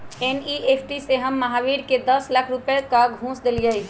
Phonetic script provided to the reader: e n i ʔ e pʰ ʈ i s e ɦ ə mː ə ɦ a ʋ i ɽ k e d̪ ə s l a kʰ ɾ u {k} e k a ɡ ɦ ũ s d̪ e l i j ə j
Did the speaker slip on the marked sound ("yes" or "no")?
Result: yes